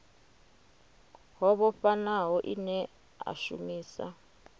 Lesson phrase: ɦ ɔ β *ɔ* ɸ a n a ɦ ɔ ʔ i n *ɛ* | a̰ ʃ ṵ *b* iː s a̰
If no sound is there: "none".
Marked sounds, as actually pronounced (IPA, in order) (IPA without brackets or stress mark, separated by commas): ɔ, ɛ, m